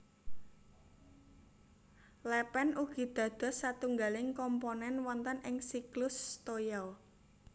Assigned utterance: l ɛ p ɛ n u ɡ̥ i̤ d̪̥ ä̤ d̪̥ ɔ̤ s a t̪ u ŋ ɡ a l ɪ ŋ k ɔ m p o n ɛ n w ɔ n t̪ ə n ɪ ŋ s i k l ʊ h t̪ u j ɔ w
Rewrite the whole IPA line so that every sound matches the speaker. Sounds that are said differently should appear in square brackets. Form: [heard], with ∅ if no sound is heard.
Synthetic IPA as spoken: l ɛ p ɛ n u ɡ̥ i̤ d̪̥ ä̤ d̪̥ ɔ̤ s a t̪ u ŋ ɡ a l ɪ ŋ k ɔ m p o n ɛ n w ɔ n t̪ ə n ɪ ŋ s i k l ʊ [s] t̪ [o] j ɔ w

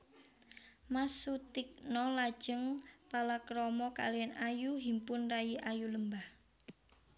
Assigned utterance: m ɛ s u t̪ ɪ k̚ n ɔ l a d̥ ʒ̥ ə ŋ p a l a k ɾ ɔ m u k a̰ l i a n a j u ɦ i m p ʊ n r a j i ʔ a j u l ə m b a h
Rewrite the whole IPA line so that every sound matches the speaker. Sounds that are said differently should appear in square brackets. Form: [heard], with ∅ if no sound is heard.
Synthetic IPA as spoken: m [a] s u t̪ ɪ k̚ n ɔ l a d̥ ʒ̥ ə ŋ p a l a k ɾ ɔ m [ɔ] k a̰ l i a n a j u ɦ i m p ʊ n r a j i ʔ a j u l ə m b a h

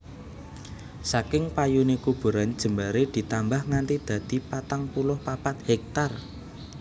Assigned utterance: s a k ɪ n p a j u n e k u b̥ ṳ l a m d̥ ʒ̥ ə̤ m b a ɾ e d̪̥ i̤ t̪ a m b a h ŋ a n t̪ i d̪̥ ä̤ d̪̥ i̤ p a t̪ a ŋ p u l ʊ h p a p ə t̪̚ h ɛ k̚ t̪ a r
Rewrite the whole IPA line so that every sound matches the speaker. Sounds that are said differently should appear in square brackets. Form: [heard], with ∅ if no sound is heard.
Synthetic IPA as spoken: s a k ɪ [ŋ] p a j u n e k u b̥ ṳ [ɾ] a [n] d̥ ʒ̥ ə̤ m b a ɾ e d̪̥ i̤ t̪ a m b a h ŋ a n t̪ i d̪̥ ä̤ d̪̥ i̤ p a t̪ a ŋ p u l ʊ h p a p [a] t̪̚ h ɛ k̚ t̪ a r

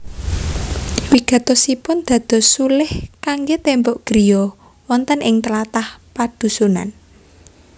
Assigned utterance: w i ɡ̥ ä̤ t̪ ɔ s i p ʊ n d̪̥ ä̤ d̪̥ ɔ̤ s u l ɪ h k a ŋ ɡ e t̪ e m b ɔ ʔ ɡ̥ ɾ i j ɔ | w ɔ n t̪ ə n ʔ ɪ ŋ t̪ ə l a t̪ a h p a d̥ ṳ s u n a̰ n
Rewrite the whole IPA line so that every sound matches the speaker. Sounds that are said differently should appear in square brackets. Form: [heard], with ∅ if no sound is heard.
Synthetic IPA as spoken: w i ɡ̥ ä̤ t̪ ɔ s i p ʊ n d̪̥ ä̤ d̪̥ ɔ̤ s u l ɪ h k a ŋ ɡ e t̪ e m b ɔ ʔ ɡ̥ ɾ i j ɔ | w ɔ n t̪ ə n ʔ ɪ ŋ t̪ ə l a t̪ a h p a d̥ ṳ s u n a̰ n

